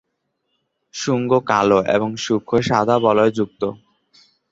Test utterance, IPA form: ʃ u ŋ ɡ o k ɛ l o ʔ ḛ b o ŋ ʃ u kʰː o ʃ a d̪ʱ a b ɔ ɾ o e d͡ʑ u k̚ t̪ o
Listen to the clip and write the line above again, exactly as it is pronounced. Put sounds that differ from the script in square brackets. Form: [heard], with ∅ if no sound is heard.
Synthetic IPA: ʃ u ŋ ɡ o k [a] l o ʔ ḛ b o ŋ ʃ u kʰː o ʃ a d̪ʱ a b ɔ [l] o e d͡ʑ u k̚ t̪ o

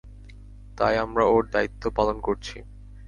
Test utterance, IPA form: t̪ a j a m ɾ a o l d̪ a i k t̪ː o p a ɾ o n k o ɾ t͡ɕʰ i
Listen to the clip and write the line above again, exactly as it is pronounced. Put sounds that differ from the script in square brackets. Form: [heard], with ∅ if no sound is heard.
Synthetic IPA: t̪ a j a m ɾ a o [ɾ] d̪ a i [∅] t̪ː o p a [l] o n k o ɾ t͡ɕʰ i

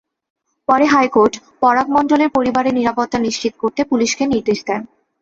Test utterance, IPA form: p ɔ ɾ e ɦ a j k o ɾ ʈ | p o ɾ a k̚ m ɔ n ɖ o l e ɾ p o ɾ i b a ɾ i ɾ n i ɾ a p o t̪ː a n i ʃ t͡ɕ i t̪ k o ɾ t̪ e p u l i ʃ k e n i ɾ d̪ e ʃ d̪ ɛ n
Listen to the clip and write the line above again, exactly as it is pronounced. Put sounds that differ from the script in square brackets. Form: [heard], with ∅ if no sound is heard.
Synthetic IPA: p ɔ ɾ e ɦ a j k o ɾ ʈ | p [ɔ] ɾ a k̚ m ɔ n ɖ o l e ɾ p o ɾ i b a ɾ [e] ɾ n i ɾ a p o t̪ː a n i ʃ t͡ɕ i t̪ k o ɾ t̪ e p u l i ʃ k e n i ɾ d̪ e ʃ d̪ ɛ n

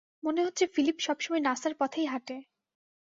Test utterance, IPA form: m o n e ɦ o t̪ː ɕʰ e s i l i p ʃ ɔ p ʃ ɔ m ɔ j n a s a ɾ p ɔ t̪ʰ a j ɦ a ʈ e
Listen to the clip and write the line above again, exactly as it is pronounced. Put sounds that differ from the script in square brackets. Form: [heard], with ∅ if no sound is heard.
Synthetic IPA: m o n e ɦ o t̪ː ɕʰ e [f] i l i p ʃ ɔ [b] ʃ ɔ m ɔ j n a s a ɾ p ɔ t̪ʰ [e] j ɦ a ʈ e

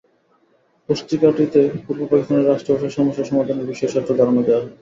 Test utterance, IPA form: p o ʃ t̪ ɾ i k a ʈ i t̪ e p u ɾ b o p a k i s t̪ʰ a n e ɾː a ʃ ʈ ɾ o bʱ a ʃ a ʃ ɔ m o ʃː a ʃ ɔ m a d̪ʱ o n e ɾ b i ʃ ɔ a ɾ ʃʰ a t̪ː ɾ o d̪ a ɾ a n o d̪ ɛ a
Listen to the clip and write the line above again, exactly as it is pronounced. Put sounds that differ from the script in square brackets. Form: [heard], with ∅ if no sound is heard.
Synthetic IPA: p o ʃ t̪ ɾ i k a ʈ i t̪ e p u ɾ b o p a k i s [t̪] a n e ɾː a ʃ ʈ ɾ o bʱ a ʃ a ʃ ɔ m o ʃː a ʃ ɔ m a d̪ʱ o n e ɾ b i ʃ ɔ [e] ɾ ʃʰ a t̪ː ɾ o d̪ a ɾ a n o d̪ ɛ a

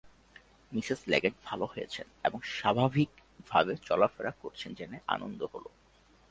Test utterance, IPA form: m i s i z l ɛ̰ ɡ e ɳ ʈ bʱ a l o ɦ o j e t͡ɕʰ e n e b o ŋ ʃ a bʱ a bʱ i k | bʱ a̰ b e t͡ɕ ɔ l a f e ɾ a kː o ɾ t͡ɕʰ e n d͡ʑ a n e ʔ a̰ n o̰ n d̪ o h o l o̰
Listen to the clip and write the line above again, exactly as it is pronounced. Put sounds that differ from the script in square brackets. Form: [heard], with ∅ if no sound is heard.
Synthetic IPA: m i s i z l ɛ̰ ɡ e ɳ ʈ bʱ a l o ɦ o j e t͡ɕʰ e n e b o ŋ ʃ a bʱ a bʱ i k | bʱ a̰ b e t͡ɕ ɔ l a f e ɾ a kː o ɾ t͡ɕʰ e n d͡ʑ [e] n e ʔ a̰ n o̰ n d̪ o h o l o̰

